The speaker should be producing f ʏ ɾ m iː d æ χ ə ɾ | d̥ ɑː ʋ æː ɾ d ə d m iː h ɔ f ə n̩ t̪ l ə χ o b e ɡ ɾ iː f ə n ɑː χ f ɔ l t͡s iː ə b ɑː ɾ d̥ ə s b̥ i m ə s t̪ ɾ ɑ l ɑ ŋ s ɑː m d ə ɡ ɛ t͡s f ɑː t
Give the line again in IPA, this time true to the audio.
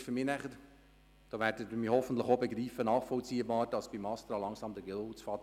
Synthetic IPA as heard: f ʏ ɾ m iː n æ χ ə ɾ | d̥ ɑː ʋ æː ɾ d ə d m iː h ɔ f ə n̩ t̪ l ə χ o b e ɡ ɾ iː f ə n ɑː χ f ɔ l t͡s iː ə b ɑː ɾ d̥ ɑ s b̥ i m ɑ s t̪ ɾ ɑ l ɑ ŋ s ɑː m d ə ɡ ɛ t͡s f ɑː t